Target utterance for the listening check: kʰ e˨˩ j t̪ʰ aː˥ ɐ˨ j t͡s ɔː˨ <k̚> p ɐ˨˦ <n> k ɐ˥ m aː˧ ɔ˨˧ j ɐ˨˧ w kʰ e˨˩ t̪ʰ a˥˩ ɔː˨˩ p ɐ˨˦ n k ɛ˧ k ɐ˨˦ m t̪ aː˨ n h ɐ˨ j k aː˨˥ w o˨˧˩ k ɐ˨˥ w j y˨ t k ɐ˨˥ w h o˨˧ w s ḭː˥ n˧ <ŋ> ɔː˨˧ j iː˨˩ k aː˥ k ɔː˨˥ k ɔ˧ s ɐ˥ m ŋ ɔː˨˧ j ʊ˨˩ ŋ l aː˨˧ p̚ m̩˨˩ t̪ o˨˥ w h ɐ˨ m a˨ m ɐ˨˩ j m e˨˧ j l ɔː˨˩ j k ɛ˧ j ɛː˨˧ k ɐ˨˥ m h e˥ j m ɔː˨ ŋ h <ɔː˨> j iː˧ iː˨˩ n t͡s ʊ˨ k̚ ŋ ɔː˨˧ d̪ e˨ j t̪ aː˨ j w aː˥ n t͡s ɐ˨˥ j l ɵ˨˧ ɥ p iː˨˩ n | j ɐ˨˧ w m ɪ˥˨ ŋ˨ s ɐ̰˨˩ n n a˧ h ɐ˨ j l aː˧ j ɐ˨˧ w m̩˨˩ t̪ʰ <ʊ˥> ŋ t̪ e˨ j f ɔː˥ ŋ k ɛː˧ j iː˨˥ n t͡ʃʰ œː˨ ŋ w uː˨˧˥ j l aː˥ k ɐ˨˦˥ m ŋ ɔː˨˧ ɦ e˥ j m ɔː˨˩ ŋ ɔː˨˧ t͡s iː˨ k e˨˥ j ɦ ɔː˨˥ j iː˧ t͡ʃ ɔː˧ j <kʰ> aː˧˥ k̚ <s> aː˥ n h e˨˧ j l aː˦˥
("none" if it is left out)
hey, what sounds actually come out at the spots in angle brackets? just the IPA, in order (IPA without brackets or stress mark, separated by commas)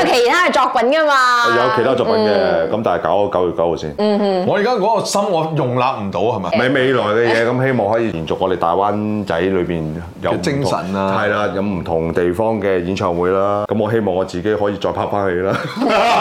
k̚, n, ŋ, ɔː˨˥, ʊ˨˩, pʰ, f